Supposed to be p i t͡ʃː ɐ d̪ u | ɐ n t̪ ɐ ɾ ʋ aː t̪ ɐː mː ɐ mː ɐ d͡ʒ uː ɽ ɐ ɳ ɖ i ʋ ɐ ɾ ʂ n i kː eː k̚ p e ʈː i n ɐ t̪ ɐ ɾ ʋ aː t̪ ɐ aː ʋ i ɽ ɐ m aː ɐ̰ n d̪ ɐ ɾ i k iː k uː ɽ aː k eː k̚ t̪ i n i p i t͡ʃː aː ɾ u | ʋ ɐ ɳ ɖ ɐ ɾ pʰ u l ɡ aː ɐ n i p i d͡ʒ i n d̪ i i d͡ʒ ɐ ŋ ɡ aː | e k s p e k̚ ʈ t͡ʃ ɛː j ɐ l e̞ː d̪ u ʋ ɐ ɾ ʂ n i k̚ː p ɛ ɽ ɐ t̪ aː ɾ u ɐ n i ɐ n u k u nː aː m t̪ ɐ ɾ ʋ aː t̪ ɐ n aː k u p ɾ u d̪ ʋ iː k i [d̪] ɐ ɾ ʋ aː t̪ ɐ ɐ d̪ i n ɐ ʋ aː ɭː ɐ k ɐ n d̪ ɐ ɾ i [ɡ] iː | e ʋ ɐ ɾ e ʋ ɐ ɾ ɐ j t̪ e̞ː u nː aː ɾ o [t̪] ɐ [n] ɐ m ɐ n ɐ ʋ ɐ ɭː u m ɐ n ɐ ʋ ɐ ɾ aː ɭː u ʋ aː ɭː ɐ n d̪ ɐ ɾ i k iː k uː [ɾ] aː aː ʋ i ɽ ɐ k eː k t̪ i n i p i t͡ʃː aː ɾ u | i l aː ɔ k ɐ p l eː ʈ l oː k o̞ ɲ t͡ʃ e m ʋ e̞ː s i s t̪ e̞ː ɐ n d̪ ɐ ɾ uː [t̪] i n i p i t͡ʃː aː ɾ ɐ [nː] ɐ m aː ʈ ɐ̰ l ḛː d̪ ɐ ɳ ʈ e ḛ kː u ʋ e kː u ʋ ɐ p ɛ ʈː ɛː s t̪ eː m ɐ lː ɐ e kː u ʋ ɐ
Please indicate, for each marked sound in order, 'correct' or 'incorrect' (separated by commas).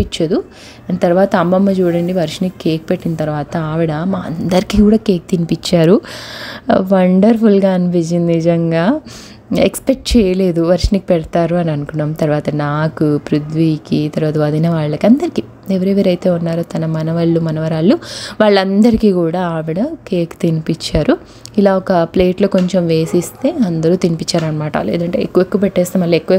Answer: incorrect, incorrect, correct, correct, incorrect, correct, incorrect